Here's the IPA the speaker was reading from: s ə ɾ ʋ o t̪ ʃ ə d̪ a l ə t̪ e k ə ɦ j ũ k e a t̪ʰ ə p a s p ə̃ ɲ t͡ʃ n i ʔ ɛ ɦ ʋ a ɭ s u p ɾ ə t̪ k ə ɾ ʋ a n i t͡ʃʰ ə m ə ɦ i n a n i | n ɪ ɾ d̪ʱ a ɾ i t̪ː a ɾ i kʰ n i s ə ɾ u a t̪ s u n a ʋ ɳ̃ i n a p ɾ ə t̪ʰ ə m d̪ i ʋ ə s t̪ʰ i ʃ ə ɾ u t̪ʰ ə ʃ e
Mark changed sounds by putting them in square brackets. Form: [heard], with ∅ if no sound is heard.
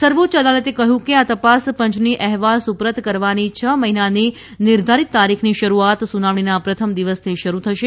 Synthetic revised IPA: s ə ɾ ʋ o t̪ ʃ ə d̪ a l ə t̪ e k ə ɦ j ũ k e a [t̪] ə p a s p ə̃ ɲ t͡ʃ n i ʔ ɛ ɦ ʋ a [l] s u p ɾ ə t̪ k ə ɾ ʋ a n i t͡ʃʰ ə m ə ɦ i n a n i | n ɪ ɾ d̪ʱ a ɾ i t̪ː a ɾ i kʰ n i [ʃ] ə ɾ u a t̪ s u n a ʋ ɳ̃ i n a p ɾ ə t̪ʰ ə m d̪ i ʋ ə s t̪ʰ i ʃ ə ɾ u t̪ʰ ə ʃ e